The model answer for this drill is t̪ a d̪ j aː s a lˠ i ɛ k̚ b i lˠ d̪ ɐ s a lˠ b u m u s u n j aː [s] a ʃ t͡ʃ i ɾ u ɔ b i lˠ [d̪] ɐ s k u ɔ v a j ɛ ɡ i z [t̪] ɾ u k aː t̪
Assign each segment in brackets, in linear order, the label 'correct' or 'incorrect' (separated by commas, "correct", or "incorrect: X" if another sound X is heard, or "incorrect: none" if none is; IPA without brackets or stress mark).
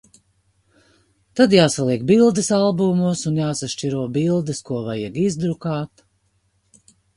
correct, correct, incorrect: d̪